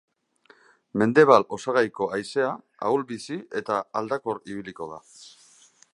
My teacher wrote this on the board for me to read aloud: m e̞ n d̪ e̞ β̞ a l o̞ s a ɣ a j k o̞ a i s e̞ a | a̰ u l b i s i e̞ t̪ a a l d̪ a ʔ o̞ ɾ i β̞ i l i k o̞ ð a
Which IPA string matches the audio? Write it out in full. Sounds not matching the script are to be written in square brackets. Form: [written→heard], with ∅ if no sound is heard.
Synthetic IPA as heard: m e̞ n d̪ e̞ β̞ a l o̞ s a ɣ a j k o̞ a [i→j] s e̞ a | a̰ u l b i s i e̞ t̪ a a l d̪ a [ʔ→k] o̞ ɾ i β̞ i l i k o̞ ð a